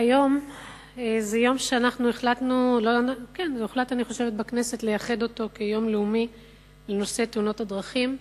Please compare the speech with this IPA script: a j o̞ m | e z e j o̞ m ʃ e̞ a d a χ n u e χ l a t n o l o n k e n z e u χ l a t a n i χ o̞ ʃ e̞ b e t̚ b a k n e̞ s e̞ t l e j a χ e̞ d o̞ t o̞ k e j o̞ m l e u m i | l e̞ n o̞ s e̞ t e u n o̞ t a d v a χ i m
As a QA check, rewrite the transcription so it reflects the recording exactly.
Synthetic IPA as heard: a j o̞ m | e z e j o̞ m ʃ e̞ a n a χ n u e χ l a t n u l o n k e n z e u χ l a t a n i χ o̞ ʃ e̞ v e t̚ b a k n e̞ s e̞ t l e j a χ e̞ d o̞ t o̞ k e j o̞ m l e u m i | l e̞ n o̞ s e̞ t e u n o̞ t a d ʁ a χ i m